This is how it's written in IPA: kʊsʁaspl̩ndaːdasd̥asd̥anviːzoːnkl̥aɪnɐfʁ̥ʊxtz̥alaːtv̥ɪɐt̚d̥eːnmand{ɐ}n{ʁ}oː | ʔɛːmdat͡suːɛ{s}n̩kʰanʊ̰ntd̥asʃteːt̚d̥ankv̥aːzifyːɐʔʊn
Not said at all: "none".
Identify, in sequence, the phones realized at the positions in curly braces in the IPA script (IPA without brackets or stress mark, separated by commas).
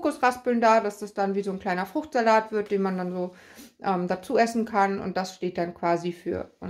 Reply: a, z, s